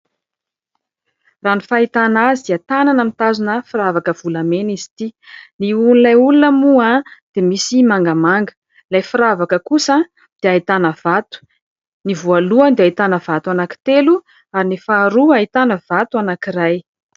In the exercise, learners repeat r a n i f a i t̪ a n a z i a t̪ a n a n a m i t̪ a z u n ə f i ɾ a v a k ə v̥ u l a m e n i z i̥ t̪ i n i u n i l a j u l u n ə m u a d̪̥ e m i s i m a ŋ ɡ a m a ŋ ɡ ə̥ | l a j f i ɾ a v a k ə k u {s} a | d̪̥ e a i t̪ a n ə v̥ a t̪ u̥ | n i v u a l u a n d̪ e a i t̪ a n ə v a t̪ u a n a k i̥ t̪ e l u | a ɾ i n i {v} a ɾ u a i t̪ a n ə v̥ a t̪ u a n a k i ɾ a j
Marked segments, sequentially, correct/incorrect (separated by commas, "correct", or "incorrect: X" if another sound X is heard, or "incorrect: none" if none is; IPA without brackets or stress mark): correct, incorrect: f